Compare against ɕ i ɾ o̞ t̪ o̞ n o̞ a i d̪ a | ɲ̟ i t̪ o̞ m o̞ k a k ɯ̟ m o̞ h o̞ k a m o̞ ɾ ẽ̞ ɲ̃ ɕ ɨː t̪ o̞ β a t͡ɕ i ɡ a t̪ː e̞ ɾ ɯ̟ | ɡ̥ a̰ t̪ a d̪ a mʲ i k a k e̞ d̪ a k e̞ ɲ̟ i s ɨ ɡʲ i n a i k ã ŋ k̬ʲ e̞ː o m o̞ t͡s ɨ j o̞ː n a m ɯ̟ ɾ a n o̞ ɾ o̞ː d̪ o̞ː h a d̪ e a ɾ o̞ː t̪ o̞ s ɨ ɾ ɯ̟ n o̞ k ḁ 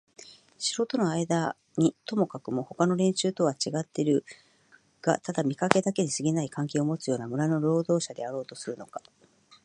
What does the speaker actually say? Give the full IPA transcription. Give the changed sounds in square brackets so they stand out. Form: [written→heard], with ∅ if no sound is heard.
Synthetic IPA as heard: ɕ i ɾ o̞ t̪ o̞ n o̞ a i d̪ a | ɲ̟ i t̪ o̞ m o̞ k a k ɯ̟ m o̞ h o̞ k a [m→n] o̞ ɾ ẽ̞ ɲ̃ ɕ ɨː t̪ o̞ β a t͡ɕ i ɡ a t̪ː e̞ ɾ ɯ̟ | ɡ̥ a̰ t̪ a d̪ a mʲ i k a k e̞ d̪ a k e̞ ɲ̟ i s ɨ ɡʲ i n a i k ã ŋ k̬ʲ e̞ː o m o̞ t͡s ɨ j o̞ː n a m ɯ̟ ɾ a n o̞ ɾ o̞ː d̪ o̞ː [h→ɕ] a d̪ e a ɾ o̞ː t̪ o̞ s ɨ ɾ ɯ̟ n o̞ k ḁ

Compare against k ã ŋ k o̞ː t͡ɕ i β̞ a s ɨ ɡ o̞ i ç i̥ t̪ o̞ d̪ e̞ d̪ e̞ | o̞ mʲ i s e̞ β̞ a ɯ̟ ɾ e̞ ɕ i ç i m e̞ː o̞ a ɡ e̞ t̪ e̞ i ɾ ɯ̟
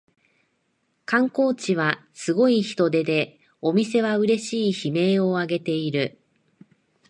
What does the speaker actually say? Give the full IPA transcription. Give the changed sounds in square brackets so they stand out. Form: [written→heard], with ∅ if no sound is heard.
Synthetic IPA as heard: k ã ŋ k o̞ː t͡ɕ i β̞ a s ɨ ɡ o̞ i ç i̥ t̪ o̞ d̪ e̞ d̪ e̞ | o̞ mʲ i s e̞ β̞ a ɯ̟ ɾ e̞ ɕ [i→iː] ç i m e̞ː o̞ a ɡ e̞ t̪ e̞ i ɾ ɯ̟

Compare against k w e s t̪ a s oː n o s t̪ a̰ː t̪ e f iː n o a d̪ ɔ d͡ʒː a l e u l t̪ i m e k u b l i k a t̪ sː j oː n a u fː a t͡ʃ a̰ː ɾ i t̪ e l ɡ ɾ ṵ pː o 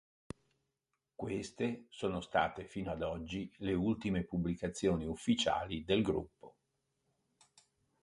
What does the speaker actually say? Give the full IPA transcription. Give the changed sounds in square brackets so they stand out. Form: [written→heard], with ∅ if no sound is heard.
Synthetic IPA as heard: k w e s t̪ [a→e] s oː n o s t̪ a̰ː t̪ e f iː n o a d̪ ɔ d͡ʒː [a→i] l e u l t̪ i m e [k→p] u b l i k a t̪ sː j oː n [a→i] u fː [a→i] t͡ʃ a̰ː [ɾ→l] i [t̪→d̪] e l ɡ ɾ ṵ pː o

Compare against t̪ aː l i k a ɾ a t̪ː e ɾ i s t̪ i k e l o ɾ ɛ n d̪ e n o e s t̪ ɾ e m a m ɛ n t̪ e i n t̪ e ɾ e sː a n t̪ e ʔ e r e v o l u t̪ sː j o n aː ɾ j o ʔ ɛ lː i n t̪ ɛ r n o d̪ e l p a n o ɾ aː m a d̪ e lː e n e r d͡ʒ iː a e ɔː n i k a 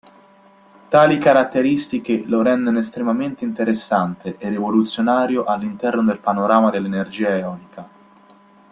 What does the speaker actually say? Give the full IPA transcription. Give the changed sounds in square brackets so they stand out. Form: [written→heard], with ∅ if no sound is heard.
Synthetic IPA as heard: t̪ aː l i k a ɾ a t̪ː e ɾ i s t̪ i k e l o ɾ ɛ n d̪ e n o e s t̪ ɾ e m a m [ɛ→e] n t̪ e i n t̪ e ɾ e sː a n t̪ e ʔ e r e v o l u t̪ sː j o n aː ɾ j o ʔ [ɛ→a] lː i n t̪ ɛ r n o d̪ e l p a n o ɾ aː m a d̪ e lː e n e r d͡ʒ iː a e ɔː n i k a

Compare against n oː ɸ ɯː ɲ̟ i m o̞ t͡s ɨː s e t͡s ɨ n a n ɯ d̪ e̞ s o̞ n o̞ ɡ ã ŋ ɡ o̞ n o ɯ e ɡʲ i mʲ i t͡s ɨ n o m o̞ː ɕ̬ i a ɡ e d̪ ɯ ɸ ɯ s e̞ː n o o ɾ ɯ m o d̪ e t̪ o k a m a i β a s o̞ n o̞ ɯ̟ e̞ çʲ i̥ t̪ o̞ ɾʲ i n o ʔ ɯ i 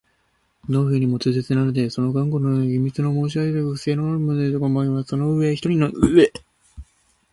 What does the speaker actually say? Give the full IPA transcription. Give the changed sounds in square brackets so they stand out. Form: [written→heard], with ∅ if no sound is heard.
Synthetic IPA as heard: n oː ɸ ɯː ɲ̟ i m o̞ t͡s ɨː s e t͡s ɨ n a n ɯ d̪ e̞ s o̞ n o̞ ɡ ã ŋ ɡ o̞ n o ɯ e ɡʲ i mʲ i t͡s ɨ n o m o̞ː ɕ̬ i a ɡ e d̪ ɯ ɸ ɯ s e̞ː n o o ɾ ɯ m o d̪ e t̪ o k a m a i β a s o̞ n o̞ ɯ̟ e̞ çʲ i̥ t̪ o̞ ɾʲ i n o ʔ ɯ [i→e]

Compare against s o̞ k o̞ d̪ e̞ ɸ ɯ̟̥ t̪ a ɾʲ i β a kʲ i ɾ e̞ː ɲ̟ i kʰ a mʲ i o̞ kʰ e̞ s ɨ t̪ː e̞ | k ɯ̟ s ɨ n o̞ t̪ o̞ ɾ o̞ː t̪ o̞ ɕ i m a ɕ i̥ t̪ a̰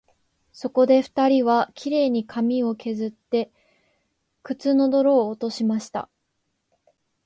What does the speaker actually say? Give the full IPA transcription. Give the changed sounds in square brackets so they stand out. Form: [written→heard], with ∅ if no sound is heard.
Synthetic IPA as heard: s o̞ k o̞ d̪ e̞ ɸ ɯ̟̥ t̪ a ɾʲ i β a kʲ i ɾ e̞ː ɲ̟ i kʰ a mʲ i o̞ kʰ e̞ [s→z] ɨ t̪ː e̞ | k ɯ̟ [s→t͡s] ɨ n o̞ [t̪→d̪] o̞ ɾ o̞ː t̪ o̞ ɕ i m a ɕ i̥ t̪ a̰

